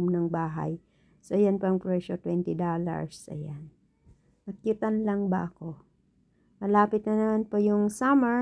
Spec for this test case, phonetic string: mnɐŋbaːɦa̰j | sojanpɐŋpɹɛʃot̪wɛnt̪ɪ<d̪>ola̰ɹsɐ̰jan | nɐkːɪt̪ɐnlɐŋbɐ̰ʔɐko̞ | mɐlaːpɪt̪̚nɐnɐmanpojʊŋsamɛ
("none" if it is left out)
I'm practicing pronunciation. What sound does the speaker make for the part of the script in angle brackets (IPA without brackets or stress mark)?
d̪